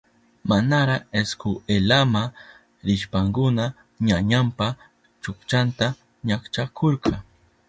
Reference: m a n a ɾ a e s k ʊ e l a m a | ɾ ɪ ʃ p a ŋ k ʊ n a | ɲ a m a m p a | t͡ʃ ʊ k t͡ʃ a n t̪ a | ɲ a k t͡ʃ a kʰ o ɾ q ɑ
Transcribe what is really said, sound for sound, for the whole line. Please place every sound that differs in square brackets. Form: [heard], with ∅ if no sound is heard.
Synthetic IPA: m a n a ɾ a e s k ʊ e l a m a | ɾ ɪ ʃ p a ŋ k ʊ n a | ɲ a [ɲ] a m p a | t͡ʃ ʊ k t͡ʃ a n t̪ a | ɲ a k t͡ʃ a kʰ o ɾ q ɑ